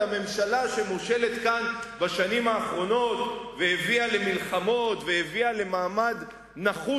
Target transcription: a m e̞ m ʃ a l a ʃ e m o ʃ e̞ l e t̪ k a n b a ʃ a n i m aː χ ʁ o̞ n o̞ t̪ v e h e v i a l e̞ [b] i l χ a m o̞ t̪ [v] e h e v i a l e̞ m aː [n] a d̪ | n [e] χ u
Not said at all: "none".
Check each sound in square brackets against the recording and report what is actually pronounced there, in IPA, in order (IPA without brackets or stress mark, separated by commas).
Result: m, v, m, a